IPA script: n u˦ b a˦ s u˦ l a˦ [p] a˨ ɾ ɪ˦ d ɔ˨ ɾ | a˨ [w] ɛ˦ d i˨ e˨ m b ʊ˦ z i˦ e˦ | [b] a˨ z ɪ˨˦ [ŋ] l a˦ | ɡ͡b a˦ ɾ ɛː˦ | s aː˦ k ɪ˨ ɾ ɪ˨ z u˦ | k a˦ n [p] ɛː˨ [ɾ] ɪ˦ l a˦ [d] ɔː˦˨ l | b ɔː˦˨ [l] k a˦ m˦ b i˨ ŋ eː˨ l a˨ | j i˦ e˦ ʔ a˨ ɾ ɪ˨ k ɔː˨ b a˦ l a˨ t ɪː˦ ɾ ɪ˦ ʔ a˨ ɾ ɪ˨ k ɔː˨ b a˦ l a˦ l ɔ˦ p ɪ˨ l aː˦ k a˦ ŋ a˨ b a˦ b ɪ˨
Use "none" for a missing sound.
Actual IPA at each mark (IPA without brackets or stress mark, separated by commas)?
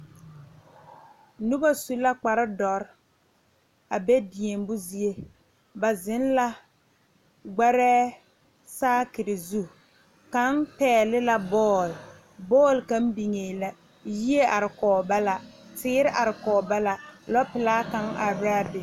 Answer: k͡p, b, b, n, p, l, b, l